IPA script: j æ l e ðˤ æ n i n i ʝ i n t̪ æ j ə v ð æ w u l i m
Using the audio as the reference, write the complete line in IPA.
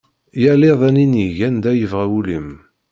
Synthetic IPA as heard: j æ l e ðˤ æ n i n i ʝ æ n d̪ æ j ə v ʁ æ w u l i m